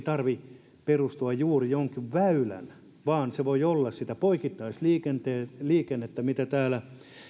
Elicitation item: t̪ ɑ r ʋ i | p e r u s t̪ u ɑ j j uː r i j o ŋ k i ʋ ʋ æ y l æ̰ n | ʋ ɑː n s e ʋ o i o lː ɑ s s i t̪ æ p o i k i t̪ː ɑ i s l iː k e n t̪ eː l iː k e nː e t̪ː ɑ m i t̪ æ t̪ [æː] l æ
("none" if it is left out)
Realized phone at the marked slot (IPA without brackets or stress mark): æː